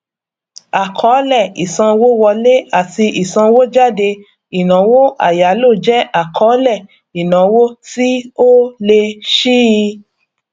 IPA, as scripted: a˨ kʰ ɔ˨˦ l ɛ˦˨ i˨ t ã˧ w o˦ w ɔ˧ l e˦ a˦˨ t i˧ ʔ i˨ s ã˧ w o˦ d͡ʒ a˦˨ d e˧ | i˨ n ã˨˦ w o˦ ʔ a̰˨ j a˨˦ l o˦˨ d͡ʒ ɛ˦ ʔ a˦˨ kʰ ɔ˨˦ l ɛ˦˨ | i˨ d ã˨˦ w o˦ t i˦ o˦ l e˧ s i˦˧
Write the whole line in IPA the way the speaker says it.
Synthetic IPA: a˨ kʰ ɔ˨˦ l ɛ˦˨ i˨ s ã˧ w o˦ w ɔ˧ l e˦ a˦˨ t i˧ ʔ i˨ s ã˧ w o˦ d͡ʒ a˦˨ d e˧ | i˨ n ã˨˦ w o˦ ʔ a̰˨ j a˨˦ l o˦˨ d͡ʒ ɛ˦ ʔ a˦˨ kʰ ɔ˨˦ l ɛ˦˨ | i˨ n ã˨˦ w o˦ t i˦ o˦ l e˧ ʃ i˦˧